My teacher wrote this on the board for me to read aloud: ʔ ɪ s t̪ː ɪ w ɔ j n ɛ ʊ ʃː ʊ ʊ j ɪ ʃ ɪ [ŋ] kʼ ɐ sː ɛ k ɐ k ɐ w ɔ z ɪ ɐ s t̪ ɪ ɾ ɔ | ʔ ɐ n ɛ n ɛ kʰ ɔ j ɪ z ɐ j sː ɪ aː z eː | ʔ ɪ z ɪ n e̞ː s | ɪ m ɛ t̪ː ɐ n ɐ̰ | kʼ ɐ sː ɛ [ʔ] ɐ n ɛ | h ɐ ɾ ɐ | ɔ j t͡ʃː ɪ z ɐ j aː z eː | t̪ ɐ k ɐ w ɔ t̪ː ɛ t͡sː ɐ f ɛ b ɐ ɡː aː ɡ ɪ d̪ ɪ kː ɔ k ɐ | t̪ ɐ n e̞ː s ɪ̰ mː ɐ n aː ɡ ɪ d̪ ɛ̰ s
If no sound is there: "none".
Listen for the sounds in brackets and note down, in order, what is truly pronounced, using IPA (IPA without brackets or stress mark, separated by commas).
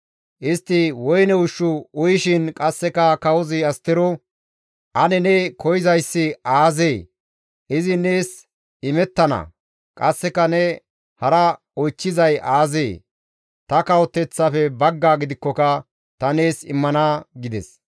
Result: n, k